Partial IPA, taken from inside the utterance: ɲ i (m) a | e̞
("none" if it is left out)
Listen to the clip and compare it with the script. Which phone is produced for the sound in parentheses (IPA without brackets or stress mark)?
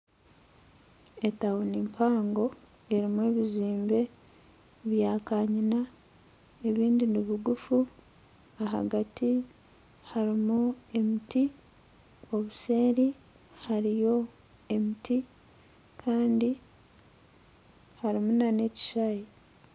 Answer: n